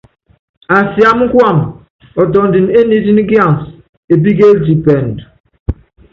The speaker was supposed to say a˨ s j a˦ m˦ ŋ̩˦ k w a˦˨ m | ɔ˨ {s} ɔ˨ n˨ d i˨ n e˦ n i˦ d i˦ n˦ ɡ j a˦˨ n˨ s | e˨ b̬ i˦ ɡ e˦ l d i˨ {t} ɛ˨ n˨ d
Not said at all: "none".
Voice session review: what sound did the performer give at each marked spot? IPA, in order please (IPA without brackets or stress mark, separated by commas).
t, p